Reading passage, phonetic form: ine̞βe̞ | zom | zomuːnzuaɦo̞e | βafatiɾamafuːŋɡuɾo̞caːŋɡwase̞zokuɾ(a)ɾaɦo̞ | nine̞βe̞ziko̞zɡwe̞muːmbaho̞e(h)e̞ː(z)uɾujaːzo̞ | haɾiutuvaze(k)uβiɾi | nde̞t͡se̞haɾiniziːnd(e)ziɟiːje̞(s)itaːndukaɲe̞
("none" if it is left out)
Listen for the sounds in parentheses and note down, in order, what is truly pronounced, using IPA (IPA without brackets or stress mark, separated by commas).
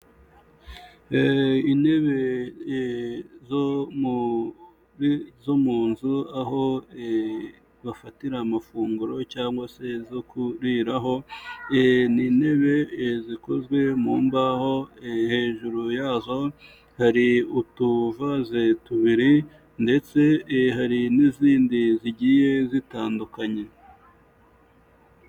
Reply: i, h, ʒ, t, i, z